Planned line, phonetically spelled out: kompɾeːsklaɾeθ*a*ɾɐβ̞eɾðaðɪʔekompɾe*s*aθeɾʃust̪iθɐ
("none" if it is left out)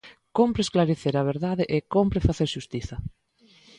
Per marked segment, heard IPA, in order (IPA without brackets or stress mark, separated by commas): e, f